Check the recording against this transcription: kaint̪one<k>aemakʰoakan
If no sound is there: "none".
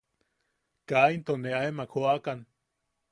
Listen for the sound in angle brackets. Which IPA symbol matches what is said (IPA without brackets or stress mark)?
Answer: none